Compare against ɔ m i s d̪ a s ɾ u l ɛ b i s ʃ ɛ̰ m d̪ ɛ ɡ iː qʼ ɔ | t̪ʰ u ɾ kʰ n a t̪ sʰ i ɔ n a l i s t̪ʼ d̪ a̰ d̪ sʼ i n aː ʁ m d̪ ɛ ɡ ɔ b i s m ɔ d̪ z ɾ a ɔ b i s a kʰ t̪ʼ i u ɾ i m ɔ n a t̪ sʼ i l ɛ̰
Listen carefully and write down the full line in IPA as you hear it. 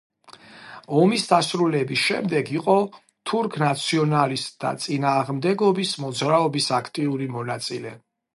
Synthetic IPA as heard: ɔ m i s d̪ a s ɾ u l ɛ b i s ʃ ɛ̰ m d̪ ɛ ɡ i qʼ ɔ | t̪ʰ u ɾ kʰ n a t̪ sʰ i ɔ n a l i s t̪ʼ d̪ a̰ t̪ sʼ i n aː ʁ m d̪ ɛ ɡ ɔ b i s m ɔ d̪ z ɾ a ɔ b i s a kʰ t̪ʼ i u ɾ i m ɔ n a t̪ sʼ i l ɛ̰